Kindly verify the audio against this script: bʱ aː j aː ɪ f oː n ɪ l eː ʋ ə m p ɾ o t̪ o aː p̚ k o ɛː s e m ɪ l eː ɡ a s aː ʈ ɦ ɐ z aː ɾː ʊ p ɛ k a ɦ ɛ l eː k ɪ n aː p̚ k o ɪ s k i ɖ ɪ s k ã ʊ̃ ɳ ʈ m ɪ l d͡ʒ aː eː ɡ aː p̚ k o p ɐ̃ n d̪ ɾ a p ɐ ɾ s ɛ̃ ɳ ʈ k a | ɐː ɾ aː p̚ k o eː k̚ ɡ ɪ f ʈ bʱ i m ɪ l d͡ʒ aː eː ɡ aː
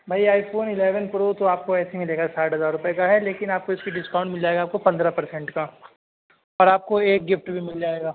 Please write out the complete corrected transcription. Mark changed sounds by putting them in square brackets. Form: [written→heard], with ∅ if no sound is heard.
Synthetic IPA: bʱ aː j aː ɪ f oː n ɪ l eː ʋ ə [m→n] p ɾ o t̪ o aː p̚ k o ɛː s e m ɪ l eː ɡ a s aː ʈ ɦ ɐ z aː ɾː ʊ p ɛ k a ɦ ɛ l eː k ɪ n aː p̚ k o ɪ s k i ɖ ɪ s k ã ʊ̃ ɳ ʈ m ɪ l d͡ʒ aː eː ɡ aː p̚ k o p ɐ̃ n d̪ ɾ a p ɐ ɾ s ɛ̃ ɳ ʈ k a | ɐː ɾ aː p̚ k o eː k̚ ɡ ɪ f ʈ bʱ i m ɪ l d͡ʒ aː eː ɡ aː